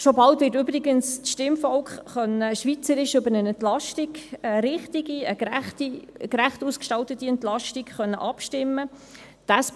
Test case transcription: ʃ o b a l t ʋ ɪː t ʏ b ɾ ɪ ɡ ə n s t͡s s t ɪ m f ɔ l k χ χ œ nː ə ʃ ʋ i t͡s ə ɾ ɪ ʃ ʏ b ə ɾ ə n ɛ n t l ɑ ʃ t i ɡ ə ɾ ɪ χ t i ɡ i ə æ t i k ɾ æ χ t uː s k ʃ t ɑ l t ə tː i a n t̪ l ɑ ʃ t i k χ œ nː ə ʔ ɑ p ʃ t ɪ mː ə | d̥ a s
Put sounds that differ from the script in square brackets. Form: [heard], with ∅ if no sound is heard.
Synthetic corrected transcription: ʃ o b [ɑ] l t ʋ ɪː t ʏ b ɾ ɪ ɡ ə n s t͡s [ʃ] t ɪ m f ɔ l k χ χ œ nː ə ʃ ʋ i t͡s ə ɾ ɪ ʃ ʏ b ə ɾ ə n ɛ n t l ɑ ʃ t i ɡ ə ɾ ɪ χ t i ɡ i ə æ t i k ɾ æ χ t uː s k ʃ t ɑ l t ə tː i [ɛ] n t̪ l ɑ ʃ t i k χ œ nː ə ʔ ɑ p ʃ t ɪ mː ə | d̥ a s

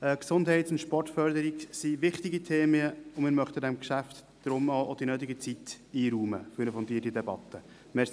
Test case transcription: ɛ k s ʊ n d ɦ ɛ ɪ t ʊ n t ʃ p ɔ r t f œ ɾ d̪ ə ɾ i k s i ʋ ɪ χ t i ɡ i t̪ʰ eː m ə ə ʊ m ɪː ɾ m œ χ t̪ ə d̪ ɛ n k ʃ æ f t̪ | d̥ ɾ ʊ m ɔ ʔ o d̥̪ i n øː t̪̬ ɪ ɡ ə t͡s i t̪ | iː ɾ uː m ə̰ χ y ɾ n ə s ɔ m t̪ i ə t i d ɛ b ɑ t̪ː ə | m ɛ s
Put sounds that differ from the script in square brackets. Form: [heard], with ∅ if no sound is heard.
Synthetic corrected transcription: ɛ k s ʊ n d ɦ ɛ ɪ t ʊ n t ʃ p ɔ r t f œ ɾ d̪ ə ɾ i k s i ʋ ɪ χ t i ɡ i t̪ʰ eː m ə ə ʊ m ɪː ɾ m œ χ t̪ ə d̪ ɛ [m] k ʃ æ f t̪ | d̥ ɾ ʊ m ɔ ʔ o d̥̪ i n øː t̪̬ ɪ ɡ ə t͡s i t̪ | iː ɾ uː m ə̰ [f] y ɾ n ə [f] ɔ [n] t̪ i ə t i d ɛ b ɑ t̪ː ə | m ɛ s

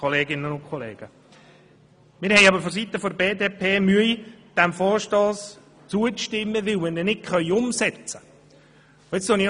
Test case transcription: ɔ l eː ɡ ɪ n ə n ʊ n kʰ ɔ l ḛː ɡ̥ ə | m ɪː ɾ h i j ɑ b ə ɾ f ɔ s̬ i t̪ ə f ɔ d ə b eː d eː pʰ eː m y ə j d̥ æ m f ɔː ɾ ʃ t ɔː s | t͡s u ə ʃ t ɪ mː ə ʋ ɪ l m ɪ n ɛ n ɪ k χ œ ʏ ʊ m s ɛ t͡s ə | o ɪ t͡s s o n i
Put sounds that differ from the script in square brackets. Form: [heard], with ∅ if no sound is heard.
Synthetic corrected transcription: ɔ l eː ɡ ɪ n ə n ʊ n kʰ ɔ l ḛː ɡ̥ ə | m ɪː ɾ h [ɛ] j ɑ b ə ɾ f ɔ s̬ i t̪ ə f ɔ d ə b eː d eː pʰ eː m y ə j d̥ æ m f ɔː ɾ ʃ t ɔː s | t͡s u ə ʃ t ɪ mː ə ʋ ɪ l m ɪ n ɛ n ɪ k χ œ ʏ ʊ m s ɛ t͡s ə | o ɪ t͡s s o n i

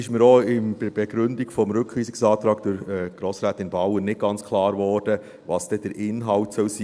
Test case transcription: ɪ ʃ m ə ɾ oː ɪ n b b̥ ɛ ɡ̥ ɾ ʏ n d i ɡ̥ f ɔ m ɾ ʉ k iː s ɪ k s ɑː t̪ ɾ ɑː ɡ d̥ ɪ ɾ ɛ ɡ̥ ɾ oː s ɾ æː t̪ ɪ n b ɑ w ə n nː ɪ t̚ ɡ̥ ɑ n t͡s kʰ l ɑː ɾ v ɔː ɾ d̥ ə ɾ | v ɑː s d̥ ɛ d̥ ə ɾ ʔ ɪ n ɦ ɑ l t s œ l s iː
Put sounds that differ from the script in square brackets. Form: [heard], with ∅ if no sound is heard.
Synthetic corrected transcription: ɪ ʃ m ə ɾ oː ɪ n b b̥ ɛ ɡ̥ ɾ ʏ n d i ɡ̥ f ɔ m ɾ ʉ k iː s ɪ k s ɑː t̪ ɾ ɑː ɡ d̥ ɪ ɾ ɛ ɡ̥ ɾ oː s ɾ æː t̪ ɪ n b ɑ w ə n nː ɪ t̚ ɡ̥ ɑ n t͡s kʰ l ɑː ɾ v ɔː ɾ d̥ ə [∅] | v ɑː s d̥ ɛ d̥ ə ɾ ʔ ɪ n ɦ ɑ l t s œ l s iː

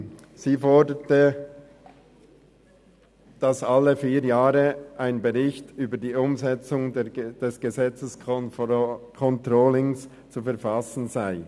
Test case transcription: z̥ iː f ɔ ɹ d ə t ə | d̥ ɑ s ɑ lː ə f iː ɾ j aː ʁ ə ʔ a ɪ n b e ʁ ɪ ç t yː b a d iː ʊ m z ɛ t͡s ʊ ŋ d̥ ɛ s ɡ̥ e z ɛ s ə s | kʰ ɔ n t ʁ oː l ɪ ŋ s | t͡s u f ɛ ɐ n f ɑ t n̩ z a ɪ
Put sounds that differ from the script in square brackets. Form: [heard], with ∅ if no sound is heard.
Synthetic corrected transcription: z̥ iː f ɔ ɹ d ə t ə | d̥ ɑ s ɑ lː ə f iː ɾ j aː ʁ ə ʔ a ɪ n b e ʁ ɪ ç t yː b [ə] d iː ʊ m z ɛ t͡s ʊ ŋ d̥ ɛ s ɡ̥ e z ɛ [t͡s] ə s | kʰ ɔ n t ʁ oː l ɪ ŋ s | t͡s u f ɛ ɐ [∅] f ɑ [s] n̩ z a ɪ

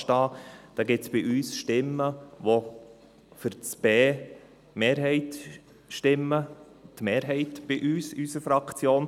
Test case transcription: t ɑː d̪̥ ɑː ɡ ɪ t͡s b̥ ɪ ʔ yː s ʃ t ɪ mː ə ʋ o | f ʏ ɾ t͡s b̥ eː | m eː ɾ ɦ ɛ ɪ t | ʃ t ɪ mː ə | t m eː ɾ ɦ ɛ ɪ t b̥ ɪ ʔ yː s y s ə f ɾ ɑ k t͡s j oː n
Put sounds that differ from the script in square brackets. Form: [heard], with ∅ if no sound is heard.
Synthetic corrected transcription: t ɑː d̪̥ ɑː ɡ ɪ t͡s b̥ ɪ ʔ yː s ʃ t ɪ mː ə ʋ o | f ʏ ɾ t͡s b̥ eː | m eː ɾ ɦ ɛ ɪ t | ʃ t ɪ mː ə | t m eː ɾ ɦ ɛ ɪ t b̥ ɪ ʔ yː s y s ə f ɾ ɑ k t͡s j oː n

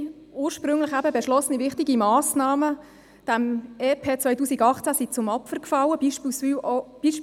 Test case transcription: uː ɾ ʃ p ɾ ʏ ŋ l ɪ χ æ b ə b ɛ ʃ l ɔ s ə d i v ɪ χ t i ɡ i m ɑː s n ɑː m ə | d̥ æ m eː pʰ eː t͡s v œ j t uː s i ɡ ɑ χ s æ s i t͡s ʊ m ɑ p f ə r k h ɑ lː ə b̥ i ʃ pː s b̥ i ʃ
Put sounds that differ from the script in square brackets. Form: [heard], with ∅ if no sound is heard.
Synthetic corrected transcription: uː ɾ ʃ p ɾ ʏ ŋ l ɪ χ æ b ə b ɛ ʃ l ɔ s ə [n] i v ɪ χ t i ɡ i m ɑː s n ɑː m ə | d̥ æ m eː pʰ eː t͡s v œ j t uː s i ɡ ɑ χ [t͡s] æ s i t͡s ʊ m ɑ p f ə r k [f] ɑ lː ə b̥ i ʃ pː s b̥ i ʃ

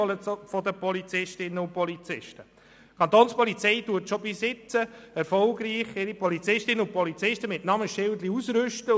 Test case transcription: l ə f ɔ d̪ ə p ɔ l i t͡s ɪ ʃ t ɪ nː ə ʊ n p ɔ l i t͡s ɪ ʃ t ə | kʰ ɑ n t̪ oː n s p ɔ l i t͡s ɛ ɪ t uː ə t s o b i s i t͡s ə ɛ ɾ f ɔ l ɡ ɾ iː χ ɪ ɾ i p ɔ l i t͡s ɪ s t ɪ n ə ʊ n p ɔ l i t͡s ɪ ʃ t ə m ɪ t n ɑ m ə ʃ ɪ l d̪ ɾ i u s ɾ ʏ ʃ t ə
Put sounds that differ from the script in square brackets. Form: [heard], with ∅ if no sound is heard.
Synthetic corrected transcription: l ə f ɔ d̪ ə p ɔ l i t͡s ɪ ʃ t ɪ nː ə ʊ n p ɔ l i t͡s ɪ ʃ t ə | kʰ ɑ n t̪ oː n s p ɔ l i t͡s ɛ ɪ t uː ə t [ʃ] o b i s [ɪ] t͡s ə ɛ ɾ f ɔ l ɡ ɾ iː χ ɪ ɾ i p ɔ l i t͡s ɪ [ʃ] t ɪ n ə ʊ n p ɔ l i t͡s ɪ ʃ t ə m ɪ t n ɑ m ə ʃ ɪ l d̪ [l] i u s ɾ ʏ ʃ t ə

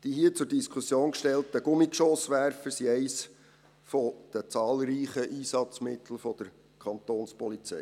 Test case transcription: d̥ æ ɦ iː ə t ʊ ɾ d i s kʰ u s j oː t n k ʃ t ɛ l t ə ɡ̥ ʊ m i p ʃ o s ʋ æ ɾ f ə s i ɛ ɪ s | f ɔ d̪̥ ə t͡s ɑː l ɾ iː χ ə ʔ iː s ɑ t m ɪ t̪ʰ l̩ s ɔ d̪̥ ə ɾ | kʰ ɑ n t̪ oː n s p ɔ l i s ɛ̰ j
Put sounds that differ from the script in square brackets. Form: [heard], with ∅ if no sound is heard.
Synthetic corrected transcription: d̥ [i] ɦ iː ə [t͡s] ʊ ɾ d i s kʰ u s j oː [∅] n k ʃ t ɛ l t ə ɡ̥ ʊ m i [k] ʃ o s ʋ æ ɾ f ə s i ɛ ɪ s | f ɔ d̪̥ ə t͡s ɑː l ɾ iː χ ə ʔ iː s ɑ [t͡s] m ɪ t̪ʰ l̩ [f] ɔ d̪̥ ə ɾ | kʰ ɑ n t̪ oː n s p ɔ l i [t͡s] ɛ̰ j

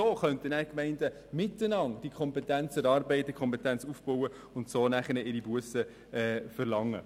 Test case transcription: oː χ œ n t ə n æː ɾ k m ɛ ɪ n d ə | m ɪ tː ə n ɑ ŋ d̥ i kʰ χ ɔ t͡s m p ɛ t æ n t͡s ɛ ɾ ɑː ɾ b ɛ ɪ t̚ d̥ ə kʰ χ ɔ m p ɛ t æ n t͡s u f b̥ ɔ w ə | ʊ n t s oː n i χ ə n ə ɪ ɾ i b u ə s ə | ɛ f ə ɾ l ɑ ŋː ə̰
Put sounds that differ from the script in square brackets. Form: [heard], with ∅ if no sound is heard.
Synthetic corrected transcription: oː χ œ n t ə n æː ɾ k m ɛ ɪ n d ə | m ɪ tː ə n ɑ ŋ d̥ i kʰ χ ɔ [∅] m p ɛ t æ n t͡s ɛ ɾ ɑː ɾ b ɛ ɪ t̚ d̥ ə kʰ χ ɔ m p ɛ t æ n t͡s u f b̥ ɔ w ə | ʊ n t s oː n [æ] χ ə n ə ɪ ɾ i b u ə s ə | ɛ f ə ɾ l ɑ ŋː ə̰

